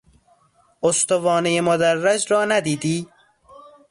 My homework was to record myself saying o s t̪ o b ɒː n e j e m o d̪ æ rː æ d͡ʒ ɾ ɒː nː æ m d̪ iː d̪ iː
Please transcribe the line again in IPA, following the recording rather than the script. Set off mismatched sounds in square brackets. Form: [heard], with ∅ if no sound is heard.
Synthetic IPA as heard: o s t̪ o [v] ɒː n e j e m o d̪ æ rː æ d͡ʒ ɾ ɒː [n] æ [∅] d̪ iː d̪ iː